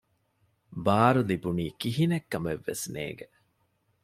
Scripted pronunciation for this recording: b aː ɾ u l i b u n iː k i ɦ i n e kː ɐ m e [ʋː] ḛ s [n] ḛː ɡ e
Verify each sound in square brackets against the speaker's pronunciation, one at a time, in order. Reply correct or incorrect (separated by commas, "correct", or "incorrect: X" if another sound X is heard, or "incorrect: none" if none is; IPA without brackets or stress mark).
correct, correct